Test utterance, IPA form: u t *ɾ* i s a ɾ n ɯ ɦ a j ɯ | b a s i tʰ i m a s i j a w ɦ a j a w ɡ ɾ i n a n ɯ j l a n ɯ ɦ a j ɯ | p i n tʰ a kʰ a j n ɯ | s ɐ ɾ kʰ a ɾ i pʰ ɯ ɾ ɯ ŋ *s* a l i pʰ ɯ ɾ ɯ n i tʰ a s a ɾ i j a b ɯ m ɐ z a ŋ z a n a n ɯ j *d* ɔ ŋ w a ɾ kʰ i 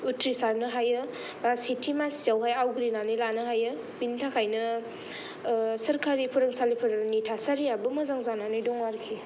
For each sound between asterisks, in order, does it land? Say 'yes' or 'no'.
yes, yes, yes

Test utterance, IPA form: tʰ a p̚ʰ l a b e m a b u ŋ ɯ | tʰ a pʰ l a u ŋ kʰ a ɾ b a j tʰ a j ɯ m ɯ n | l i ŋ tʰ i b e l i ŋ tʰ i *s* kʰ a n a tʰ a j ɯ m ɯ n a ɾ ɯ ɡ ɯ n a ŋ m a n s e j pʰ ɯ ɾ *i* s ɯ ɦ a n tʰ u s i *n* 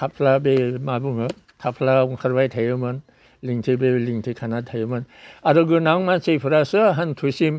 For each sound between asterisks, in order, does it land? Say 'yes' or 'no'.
no, no, no

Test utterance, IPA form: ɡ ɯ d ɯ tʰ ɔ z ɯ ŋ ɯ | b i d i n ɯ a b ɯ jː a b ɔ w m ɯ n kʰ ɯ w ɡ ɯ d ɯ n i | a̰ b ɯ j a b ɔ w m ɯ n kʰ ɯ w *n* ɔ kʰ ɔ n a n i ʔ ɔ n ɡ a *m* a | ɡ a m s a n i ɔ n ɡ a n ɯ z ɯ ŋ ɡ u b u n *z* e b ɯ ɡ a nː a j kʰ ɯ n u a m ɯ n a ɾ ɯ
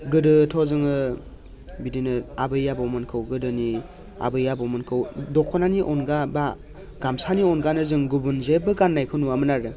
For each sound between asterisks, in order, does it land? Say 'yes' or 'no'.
no, no, yes

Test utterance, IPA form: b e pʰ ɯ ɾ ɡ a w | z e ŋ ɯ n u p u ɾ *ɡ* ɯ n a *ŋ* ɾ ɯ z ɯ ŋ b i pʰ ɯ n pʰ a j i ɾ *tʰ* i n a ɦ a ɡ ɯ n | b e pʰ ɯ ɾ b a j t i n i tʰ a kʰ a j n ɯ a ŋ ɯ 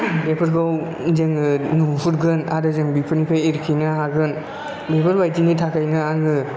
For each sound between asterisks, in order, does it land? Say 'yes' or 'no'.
yes, no, no

